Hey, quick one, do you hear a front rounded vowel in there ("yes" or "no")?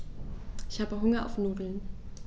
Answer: no